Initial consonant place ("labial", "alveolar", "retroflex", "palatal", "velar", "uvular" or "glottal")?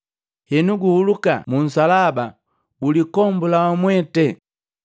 glottal